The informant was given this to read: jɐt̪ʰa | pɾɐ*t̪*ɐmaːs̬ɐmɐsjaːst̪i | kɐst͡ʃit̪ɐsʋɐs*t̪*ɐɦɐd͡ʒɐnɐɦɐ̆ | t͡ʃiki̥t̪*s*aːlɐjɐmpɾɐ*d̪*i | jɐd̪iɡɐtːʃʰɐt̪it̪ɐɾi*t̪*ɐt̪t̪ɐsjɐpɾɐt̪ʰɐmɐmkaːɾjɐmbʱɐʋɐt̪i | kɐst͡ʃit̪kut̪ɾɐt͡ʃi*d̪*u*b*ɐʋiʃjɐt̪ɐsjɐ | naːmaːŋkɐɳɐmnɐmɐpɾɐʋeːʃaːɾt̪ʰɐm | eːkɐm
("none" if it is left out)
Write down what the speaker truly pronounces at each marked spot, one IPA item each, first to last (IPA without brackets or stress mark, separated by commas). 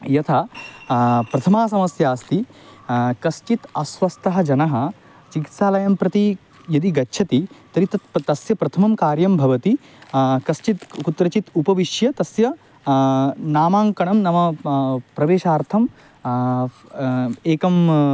t̪ʰ, t̪, s, t̪, t̪, t̪, p